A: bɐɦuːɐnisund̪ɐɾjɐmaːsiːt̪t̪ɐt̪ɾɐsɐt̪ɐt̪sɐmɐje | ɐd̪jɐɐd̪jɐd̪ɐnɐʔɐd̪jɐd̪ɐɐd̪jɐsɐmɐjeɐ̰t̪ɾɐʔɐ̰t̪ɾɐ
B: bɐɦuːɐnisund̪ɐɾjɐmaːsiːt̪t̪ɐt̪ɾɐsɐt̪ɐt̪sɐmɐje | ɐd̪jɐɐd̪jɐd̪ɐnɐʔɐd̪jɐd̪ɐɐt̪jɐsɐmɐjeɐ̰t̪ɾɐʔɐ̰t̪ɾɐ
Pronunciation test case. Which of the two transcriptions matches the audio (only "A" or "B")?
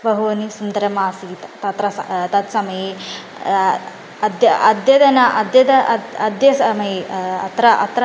A